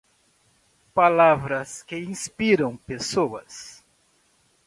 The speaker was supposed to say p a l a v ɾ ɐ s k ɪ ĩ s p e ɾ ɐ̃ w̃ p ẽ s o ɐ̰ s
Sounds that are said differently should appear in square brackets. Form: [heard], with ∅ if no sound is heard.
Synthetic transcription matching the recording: p a l a v ɾ ɐ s k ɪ ĩ s p [i] ɾ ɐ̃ w̃ p [e] s o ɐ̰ s